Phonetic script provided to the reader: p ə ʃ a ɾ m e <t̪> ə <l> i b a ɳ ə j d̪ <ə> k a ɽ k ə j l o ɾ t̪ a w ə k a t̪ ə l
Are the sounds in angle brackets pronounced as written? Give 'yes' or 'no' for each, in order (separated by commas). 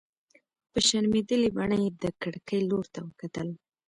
no, yes, yes